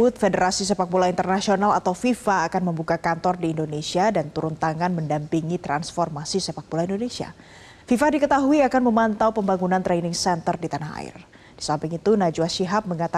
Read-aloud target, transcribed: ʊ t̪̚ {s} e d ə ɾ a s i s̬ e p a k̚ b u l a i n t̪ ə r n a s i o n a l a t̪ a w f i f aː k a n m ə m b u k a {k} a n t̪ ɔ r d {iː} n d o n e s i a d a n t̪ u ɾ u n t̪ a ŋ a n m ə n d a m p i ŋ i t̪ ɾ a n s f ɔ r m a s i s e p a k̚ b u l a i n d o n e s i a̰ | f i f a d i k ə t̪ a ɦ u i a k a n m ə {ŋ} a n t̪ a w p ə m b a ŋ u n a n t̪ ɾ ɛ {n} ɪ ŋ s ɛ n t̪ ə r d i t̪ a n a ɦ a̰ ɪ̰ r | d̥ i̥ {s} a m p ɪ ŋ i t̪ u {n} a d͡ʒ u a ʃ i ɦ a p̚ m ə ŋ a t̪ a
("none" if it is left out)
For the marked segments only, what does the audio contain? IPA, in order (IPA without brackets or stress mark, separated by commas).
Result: f, k, iː, m, n, s, n